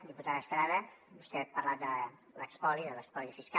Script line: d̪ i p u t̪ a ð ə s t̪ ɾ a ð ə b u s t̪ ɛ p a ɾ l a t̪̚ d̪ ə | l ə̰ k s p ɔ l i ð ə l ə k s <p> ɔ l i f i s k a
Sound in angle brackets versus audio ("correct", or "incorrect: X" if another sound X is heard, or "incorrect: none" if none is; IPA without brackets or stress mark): correct